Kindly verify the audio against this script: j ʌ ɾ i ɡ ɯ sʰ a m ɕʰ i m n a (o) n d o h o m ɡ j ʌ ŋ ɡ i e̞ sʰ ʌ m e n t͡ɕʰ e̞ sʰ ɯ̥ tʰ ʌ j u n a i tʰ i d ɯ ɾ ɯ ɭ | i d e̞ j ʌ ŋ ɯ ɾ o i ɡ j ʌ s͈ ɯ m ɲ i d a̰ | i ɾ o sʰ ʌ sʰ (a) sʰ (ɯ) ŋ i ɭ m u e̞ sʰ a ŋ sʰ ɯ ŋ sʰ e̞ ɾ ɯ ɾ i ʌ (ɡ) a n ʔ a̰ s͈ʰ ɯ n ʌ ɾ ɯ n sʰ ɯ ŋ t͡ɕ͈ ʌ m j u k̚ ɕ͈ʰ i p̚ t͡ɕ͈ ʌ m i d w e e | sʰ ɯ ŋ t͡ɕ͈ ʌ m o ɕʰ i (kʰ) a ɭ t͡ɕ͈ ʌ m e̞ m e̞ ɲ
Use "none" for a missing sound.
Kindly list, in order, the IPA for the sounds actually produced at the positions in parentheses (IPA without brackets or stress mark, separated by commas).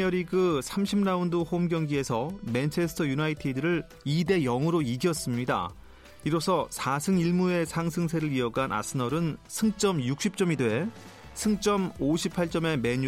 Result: u, a, ɯ, ɡ, pʰ